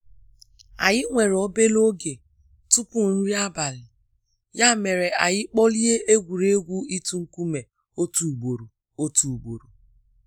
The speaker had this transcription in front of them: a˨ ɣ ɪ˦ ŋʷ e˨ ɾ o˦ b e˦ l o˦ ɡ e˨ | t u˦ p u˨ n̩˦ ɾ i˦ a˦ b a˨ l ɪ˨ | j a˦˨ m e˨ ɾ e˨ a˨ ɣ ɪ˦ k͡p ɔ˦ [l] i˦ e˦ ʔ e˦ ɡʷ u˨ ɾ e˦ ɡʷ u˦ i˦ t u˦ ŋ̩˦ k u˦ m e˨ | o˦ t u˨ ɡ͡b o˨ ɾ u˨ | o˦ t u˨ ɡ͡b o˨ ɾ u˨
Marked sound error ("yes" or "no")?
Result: no